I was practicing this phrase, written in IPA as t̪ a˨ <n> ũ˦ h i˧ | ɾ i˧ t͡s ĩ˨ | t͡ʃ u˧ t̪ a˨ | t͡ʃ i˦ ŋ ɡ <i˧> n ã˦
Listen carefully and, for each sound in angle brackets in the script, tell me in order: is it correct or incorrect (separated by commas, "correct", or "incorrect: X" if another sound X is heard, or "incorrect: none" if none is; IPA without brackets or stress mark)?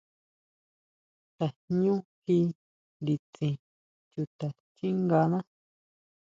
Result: incorrect: ɲ, incorrect: a˧